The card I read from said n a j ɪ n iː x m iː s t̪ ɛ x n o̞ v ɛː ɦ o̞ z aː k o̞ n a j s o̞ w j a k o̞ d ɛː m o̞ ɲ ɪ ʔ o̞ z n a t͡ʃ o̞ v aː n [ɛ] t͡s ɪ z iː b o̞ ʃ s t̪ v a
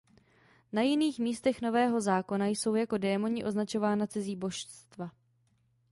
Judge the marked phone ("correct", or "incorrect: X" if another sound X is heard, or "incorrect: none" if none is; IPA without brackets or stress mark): incorrect: a